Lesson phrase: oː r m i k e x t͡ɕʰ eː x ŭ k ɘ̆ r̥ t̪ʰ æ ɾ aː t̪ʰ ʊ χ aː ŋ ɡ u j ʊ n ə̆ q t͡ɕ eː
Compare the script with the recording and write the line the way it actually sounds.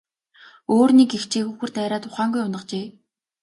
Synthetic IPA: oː r n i k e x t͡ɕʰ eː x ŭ x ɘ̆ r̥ t̪ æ ɾ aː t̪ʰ ʊ χ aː ŋ ɡ u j ʊ n ə̆ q t͡ɕ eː

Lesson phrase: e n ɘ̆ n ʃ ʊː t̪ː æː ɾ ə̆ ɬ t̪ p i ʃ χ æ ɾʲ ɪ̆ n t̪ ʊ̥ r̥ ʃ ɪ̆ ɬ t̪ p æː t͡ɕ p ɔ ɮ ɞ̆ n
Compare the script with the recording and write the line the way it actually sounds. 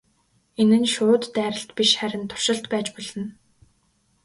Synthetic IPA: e n ɘ̆ n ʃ ʊː t̪ː æː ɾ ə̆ ɬ t̪ p i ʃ χ æ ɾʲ ɪ̆ n t̪ʰ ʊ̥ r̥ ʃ ɪ̆ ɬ t̪ p æː t͡ɕ p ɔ ɮ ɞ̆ n

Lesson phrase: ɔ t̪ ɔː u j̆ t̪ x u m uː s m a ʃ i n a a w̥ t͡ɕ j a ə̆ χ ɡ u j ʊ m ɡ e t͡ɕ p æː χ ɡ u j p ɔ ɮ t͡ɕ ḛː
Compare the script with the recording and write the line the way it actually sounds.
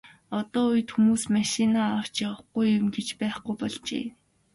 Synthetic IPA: ɔ t̪ ɔː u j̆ t̪ x u m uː s m a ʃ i n a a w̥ t͡ɕ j a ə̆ χ ɡ u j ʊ m ɡ e t͡ɕ p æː χ ɡ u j p ɔ ɮ t͡ɕ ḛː

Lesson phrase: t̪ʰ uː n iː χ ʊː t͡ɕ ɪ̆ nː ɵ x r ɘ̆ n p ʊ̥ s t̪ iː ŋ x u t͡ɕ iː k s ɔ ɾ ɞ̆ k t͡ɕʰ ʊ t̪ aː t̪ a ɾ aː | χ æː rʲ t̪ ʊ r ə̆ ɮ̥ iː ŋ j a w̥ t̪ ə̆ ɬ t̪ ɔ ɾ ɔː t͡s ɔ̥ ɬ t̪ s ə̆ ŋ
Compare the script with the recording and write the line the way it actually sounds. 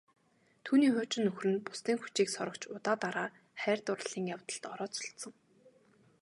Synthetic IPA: t̪ʰ uː n iː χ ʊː t͡ɕ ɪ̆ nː ɵ x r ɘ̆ n p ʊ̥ s t̪ iː ŋ x u t͡ɕ iː k s ɔ ɾ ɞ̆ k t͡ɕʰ ʊ t̪ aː t̪ a ɾ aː | χ æː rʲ t̪ ʊ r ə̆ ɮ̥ iː ŋ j a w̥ t̪ ə̆ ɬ t̪ ɔ ɾ ɔː t͡s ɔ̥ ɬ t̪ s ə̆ ŋ

